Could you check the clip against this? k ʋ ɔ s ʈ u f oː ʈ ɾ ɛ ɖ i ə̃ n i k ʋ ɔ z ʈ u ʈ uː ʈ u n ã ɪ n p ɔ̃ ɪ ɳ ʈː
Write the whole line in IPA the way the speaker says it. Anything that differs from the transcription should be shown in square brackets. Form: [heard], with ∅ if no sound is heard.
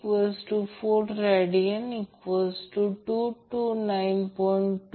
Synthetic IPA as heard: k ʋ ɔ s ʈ u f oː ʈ ɾ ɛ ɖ i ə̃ n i k ʋ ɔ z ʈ u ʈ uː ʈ u n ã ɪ n p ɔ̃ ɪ ɳ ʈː